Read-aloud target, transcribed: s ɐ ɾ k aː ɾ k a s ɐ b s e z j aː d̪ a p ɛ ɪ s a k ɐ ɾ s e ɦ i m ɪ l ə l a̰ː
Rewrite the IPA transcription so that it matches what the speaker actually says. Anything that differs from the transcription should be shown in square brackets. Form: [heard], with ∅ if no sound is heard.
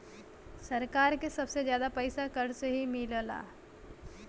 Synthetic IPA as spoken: s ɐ ɾ k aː ɾ k [e] s ɐ b s e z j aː d̪ a p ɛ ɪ s a k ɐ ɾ s e ɦ i m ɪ l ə l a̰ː